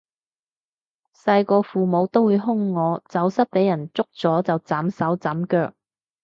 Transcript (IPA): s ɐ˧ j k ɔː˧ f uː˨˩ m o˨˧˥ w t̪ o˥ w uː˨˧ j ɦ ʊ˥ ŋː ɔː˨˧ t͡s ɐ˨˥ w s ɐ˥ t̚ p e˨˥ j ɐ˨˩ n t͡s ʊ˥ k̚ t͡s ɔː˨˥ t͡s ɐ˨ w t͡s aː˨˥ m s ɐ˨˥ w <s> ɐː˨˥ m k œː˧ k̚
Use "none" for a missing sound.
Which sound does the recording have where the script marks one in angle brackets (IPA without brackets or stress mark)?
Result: t͡s